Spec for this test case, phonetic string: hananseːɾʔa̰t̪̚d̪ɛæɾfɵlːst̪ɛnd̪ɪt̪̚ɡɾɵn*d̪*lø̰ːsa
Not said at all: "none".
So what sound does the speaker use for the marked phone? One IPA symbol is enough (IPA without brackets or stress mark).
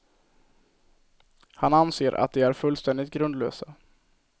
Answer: d̪